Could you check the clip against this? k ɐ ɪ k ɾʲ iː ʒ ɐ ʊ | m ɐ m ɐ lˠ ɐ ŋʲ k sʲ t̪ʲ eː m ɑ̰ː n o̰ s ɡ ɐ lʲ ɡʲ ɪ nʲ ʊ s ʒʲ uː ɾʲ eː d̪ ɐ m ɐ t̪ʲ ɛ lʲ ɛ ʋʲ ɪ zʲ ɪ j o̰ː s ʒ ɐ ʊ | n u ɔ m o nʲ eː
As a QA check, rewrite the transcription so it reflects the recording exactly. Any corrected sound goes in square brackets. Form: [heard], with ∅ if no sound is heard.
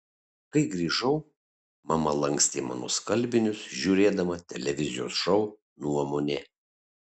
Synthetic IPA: k ɐ ɪ [ɡ] ɾʲ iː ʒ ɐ ʊ | m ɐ m ɐ lˠ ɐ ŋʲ k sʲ t̪ʲ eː m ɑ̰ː n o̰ s [k] ɐ lʲ [bʲ] ɪ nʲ ʊ s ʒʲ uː ɾʲ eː d̪ ɐ m ɐ t̪ʲ ɛ lʲ ɛ ʋʲ ɪ zʲ ɪ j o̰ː s [ʃ] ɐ ʊ | n u ɔ m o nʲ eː